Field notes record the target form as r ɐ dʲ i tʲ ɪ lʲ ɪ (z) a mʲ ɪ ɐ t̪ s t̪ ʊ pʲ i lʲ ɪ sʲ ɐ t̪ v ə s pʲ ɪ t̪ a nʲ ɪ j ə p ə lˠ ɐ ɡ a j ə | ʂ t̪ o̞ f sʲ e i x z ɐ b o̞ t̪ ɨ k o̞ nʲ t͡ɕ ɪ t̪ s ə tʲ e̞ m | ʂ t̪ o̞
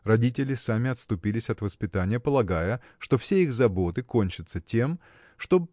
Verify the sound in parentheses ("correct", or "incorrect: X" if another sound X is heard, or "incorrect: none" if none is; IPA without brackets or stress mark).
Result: incorrect: s